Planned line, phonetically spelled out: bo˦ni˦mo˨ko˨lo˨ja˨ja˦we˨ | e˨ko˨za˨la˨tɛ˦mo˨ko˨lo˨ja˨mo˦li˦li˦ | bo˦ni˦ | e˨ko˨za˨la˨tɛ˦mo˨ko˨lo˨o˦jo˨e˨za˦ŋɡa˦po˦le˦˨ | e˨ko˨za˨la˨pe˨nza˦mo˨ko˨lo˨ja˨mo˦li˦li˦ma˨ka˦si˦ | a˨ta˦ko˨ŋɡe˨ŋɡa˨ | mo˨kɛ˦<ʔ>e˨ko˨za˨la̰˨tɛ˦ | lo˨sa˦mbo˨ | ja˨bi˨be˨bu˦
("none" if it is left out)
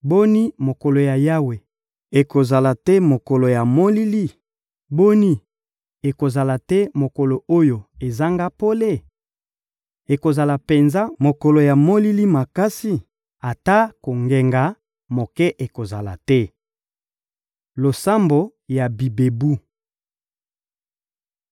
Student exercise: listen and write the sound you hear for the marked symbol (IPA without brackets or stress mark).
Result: ʔ